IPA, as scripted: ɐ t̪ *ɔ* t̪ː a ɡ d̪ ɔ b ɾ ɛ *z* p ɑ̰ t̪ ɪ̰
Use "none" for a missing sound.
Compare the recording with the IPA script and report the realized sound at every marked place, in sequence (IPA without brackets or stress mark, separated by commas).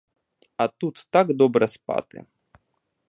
u, s